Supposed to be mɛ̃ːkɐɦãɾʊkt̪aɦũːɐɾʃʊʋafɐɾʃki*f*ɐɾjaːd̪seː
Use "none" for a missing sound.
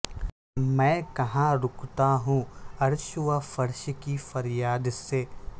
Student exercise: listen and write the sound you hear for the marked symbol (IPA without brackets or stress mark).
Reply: f